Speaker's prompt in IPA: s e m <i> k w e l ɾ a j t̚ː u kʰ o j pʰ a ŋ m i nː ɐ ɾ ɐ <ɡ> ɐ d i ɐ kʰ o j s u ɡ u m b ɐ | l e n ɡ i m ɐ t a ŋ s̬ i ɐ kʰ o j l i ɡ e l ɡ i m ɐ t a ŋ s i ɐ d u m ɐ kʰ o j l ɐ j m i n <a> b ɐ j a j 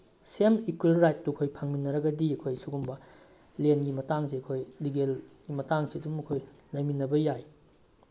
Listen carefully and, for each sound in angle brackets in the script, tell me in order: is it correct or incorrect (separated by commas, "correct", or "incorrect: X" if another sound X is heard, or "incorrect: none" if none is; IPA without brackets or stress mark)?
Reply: correct, correct, incorrect: ɐ